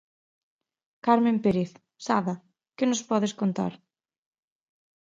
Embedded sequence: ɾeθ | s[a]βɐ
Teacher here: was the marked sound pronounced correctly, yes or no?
yes